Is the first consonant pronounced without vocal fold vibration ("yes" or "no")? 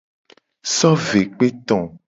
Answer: yes